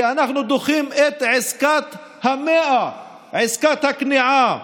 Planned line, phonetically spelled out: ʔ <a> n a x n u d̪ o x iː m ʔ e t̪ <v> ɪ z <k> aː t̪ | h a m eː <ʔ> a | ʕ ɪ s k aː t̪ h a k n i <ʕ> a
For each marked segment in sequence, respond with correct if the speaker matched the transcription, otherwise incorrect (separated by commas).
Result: correct, incorrect, correct, correct, correct